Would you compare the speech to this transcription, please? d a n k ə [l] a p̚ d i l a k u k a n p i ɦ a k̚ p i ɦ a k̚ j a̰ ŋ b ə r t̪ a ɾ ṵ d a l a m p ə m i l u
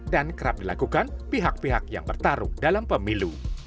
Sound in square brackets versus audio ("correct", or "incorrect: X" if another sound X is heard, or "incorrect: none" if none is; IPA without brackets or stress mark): incorrect: ɾ